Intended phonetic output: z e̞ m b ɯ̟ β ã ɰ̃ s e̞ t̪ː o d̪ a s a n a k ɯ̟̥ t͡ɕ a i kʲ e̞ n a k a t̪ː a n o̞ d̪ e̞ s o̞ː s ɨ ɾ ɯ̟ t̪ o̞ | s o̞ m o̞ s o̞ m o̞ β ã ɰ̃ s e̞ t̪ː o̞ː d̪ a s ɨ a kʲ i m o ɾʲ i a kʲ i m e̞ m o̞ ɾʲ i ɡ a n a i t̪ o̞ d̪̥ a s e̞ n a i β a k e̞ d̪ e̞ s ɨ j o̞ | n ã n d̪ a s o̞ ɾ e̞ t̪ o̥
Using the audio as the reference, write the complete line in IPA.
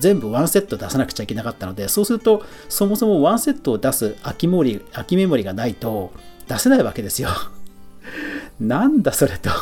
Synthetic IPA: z ẽ̞ m b ɯ̟ β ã ɰ̃ s e̞ t̪ː o d̪ a s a n a k ɯ̟̥ t͡ɕ a i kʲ e̞ n a k a t̪ː a n o̞ d̪ e̞ s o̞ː s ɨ ɾ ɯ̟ t̪ o̞ | s o̞ m o̞ s o̞ m o̞ β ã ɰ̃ s e̞ t̪ː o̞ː d̪ a s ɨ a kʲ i m o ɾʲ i a kʲ i m e̞ m o̞ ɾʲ i ɡ a n a i t̪ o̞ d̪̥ a s e̞ n a i β a k e̞ d̪ e̞ s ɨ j o̞ | n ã n d̪ a s o̞ ɾ e̞ t̪ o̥